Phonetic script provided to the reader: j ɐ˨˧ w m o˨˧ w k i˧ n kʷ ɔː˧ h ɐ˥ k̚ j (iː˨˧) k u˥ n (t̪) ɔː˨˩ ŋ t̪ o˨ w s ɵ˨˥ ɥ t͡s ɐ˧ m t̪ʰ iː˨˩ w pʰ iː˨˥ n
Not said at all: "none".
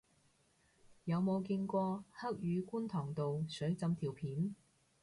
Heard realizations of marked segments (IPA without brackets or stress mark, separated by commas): yː˨˧, t̪ʰ